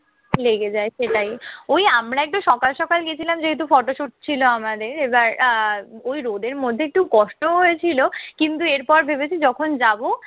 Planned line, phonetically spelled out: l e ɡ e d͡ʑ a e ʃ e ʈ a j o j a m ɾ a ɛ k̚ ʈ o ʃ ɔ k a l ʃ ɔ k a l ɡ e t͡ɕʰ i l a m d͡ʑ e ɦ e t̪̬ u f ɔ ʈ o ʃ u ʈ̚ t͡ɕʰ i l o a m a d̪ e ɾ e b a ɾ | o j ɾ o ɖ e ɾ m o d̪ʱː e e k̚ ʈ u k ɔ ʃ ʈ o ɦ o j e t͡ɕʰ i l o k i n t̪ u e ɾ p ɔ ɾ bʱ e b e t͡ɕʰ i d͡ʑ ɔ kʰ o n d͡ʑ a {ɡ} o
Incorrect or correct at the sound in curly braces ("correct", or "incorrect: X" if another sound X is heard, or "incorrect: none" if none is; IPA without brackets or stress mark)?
incorrect: b